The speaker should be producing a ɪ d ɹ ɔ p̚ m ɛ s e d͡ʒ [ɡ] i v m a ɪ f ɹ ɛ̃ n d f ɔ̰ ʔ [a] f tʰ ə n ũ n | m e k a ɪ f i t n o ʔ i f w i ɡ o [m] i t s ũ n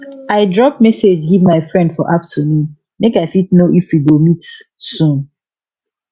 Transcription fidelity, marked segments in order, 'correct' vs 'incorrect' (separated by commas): correct, correct, correct